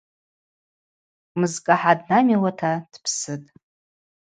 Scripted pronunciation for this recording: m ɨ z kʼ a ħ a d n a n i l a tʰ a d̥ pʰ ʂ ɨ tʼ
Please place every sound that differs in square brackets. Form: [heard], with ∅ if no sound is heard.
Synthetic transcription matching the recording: m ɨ z kʼ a ħ a d n a [m] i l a tʰ a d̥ pʰ [s] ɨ tʼ